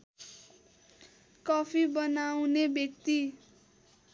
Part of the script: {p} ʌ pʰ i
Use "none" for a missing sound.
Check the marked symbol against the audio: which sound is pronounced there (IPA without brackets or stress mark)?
k